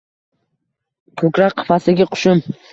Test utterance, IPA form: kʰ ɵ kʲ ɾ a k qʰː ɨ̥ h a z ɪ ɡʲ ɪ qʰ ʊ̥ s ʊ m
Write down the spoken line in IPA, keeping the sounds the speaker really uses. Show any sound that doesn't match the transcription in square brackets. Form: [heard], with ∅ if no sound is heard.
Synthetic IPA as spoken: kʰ ɵ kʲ ɾ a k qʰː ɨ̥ [f] a [s] ɪ ɡʲ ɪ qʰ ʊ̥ [ʃ] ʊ m